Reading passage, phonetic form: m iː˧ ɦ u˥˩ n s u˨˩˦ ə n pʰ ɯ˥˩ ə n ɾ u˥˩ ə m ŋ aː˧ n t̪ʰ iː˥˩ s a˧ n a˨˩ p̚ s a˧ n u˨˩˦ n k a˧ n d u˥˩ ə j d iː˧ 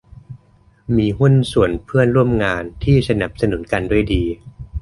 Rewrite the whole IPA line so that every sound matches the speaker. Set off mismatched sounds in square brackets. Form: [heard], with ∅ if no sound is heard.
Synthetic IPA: m iː˧ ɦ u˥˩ n s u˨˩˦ ə n pʰ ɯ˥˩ ə n ɾ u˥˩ ə m ŋ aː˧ n t̪ʰ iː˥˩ s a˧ n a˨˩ p̚ s a˧ n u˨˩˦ n k a˧ n d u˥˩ ə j d iː˧